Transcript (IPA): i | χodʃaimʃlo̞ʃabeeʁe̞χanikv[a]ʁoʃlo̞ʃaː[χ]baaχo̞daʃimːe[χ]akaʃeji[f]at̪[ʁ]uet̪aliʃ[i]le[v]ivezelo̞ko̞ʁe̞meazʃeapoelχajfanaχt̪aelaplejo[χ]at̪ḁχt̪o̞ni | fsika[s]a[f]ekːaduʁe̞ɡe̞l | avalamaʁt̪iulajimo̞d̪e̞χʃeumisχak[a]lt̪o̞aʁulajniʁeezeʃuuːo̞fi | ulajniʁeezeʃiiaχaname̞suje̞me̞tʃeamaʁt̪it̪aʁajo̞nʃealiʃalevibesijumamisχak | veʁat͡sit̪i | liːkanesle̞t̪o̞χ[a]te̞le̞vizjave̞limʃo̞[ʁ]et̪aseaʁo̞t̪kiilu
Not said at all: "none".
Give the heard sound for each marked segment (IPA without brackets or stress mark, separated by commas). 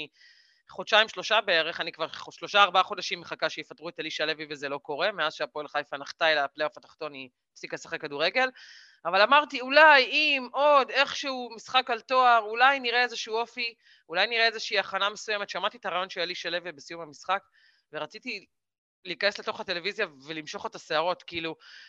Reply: a, ʁ, χ, f, ʁ, a, v, f, s, χ, a, a, χ